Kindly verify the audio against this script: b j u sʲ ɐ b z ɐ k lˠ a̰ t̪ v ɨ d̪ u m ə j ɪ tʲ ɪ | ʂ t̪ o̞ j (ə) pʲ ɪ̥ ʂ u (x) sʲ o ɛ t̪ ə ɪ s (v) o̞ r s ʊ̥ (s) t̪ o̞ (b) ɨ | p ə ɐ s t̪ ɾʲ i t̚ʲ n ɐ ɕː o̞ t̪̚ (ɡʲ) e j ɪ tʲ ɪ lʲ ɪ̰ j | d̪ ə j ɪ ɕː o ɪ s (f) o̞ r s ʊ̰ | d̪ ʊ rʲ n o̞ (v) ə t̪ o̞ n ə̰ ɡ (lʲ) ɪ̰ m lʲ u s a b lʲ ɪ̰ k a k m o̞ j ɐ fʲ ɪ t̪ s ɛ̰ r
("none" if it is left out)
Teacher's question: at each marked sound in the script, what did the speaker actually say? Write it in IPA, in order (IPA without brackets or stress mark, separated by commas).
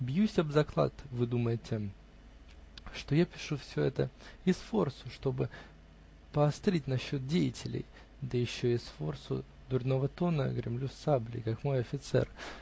a, f, f, ʂ, b, dʲ, f, v, ɾʲ